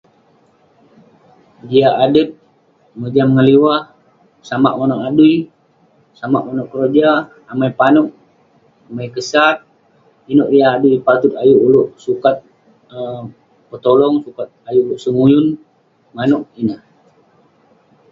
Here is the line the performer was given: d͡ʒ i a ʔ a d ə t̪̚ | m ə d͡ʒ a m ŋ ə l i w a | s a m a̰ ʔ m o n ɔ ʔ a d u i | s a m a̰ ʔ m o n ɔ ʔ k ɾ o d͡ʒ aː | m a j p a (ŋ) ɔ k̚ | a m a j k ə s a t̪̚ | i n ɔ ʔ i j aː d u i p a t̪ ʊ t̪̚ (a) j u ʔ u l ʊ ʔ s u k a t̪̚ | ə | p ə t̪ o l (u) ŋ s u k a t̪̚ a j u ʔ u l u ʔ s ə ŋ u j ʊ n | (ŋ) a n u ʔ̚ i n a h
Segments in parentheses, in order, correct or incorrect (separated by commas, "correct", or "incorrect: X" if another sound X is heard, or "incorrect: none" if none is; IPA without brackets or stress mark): incorrect: n, correct, incorrect: ɔ, incorrect: m